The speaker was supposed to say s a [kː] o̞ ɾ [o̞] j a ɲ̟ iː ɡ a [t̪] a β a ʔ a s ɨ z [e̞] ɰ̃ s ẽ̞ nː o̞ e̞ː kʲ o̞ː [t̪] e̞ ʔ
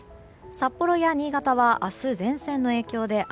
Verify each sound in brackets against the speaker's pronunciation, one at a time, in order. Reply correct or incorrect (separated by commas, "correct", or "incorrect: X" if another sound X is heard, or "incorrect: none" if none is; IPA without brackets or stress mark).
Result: incorrect: pː, correct, correct, incorrect: ẽ̞, incorrect: d̪